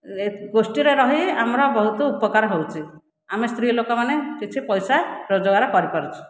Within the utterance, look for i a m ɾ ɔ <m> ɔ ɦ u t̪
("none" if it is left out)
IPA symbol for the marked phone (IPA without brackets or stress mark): b